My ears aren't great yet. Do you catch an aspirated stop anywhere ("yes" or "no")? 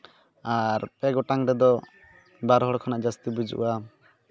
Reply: yes